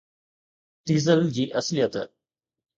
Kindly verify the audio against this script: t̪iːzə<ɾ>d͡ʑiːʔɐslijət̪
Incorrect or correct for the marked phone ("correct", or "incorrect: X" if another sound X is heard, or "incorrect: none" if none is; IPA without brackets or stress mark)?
incorrect: l